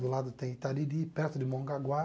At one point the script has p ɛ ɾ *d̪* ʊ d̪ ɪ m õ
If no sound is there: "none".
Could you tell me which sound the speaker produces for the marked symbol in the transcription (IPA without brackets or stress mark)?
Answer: t̪